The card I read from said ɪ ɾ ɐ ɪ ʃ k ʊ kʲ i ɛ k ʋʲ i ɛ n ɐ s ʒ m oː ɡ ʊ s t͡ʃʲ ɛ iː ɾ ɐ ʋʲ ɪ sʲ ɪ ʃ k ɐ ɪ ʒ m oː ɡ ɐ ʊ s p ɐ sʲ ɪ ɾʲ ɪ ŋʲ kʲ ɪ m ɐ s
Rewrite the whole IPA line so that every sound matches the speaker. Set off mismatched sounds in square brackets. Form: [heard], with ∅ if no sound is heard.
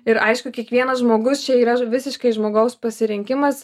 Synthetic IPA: ɪ ɾ ɐ ɪ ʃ k ʊ kʲ i ɛ k ʋʲ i ɛ n ɐ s ʒ m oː ɡ ʊ s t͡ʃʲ ɛ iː ɾ ɐ ʋʲ ɪ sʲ ɪ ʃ k ɐ ɪ ʒ m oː ɡ ɐ ʊ s p ɐ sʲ ɪ ɾʲ ɪ ŋʲ kʲ ɪ m ɐ s